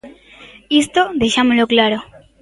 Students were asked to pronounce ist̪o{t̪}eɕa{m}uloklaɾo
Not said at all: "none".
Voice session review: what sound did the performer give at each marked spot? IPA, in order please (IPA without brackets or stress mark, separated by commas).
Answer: d̪, m